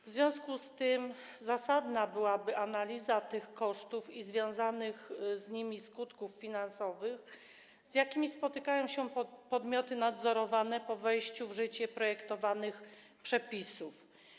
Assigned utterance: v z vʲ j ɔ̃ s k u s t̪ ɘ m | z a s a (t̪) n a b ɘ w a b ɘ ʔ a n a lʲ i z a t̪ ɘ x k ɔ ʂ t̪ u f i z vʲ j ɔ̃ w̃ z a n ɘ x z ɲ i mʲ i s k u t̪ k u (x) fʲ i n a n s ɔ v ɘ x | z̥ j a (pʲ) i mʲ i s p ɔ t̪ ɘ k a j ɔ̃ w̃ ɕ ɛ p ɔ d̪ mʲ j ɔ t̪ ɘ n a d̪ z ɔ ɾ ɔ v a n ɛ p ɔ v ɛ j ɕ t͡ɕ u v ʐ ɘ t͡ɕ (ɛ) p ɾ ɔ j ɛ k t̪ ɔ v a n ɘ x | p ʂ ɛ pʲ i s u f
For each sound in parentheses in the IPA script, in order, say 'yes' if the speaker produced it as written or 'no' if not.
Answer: no, no, no, yes

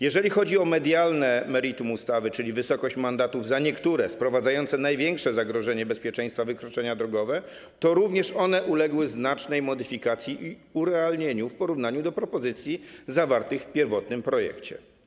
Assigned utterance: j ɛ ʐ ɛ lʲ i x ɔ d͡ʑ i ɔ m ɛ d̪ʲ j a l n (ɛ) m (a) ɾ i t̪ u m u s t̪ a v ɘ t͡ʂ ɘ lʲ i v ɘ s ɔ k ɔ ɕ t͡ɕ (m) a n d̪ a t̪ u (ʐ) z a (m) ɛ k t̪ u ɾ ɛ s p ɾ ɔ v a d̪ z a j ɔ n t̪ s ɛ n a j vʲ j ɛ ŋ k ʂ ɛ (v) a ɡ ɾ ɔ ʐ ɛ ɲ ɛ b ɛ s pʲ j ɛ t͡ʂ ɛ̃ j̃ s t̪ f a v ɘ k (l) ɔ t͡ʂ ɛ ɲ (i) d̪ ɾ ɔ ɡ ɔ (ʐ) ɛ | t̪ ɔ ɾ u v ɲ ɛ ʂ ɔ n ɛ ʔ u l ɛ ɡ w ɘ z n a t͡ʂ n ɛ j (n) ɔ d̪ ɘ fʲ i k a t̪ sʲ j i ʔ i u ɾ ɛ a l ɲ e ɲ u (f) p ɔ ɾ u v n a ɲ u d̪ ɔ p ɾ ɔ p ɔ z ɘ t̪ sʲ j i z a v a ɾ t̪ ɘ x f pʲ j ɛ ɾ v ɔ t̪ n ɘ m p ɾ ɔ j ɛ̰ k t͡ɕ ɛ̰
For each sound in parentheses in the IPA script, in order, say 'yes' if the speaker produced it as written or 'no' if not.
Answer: yes, no, yes, no, no, no, no, no, no, no, yes

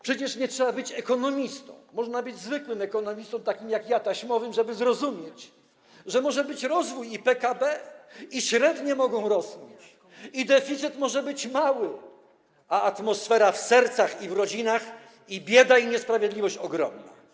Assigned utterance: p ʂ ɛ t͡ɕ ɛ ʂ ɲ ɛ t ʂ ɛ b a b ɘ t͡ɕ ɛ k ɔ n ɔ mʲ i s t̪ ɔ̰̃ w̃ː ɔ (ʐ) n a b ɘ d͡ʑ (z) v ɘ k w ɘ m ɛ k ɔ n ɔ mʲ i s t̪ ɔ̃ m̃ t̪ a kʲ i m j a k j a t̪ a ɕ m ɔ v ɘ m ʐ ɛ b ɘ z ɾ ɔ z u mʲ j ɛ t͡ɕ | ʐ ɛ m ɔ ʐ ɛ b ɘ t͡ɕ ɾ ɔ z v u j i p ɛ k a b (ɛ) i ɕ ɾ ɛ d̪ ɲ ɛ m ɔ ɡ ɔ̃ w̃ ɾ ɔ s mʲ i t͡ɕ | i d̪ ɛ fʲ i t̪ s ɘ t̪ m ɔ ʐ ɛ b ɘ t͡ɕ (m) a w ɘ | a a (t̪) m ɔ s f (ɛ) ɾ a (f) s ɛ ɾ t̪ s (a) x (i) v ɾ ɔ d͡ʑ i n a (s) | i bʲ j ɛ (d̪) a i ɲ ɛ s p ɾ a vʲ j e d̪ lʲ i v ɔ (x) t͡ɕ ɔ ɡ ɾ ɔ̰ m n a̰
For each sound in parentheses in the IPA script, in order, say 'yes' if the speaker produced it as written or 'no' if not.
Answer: yes, yes, yes, yes, yes, yes, yes, yes, yes, no, yes, no

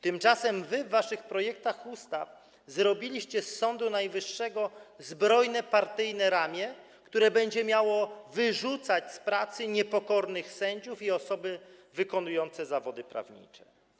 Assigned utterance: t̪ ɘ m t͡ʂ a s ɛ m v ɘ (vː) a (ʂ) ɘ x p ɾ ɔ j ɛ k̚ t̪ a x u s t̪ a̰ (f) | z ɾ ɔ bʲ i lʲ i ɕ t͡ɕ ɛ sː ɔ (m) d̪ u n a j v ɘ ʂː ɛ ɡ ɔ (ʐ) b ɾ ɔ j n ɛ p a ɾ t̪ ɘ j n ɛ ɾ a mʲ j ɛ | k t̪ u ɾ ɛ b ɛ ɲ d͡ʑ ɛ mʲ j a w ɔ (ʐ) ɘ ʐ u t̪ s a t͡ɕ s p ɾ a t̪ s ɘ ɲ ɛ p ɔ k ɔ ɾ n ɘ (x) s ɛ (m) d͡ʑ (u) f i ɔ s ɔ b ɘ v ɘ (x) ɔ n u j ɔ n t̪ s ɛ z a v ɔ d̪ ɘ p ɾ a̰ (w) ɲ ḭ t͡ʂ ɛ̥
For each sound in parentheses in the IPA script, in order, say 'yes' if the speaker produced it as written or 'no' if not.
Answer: yes, yes, yes, no, no, no, yes, no, yes, no, no

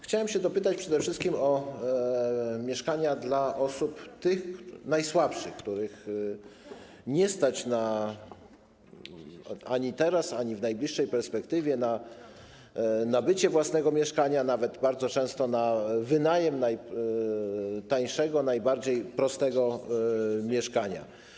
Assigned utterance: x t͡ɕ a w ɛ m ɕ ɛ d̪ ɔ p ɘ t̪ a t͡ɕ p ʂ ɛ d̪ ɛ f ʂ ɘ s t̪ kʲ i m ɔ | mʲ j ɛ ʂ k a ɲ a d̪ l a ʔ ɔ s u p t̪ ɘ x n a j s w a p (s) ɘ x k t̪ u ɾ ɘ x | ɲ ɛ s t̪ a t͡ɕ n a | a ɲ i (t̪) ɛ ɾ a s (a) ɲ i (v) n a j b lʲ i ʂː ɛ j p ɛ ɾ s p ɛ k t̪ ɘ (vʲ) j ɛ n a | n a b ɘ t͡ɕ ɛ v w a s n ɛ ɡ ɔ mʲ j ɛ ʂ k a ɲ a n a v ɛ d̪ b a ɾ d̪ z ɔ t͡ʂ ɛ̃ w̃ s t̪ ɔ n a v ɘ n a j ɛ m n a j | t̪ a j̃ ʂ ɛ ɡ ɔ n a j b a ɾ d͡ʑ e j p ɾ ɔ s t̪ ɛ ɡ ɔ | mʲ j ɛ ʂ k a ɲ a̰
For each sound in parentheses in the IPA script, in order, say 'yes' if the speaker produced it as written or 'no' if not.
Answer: no, yes, yes, yes, yes

